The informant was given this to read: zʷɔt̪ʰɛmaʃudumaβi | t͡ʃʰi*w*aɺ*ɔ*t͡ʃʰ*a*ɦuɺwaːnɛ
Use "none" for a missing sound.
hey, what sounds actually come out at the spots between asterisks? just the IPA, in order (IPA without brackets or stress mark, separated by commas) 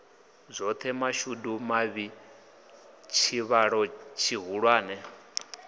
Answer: β, ɔ, i